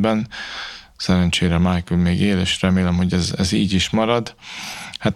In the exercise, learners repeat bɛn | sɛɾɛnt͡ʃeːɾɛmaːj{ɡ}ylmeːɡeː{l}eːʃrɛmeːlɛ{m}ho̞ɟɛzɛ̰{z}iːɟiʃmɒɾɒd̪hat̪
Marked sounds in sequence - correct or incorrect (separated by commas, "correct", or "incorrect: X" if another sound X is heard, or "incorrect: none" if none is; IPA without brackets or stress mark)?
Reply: incorrect: k, correct, correct, correct